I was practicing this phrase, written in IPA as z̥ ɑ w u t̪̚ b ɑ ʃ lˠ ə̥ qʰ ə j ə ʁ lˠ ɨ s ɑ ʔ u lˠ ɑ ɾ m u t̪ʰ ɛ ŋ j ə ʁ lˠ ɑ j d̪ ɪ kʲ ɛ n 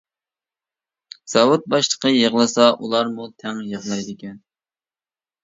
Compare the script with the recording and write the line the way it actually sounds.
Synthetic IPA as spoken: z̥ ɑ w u t̪̚ b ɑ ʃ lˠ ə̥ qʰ ə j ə ʁ lˠ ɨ s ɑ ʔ u lˠ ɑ ɾ m u t̪ʰ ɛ ŋ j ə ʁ lˠ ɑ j d̪ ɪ kʲ ɛ n